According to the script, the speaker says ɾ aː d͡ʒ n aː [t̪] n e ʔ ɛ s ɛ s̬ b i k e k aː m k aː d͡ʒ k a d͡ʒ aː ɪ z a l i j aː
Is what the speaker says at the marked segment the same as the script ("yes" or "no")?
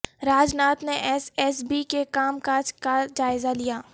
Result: yes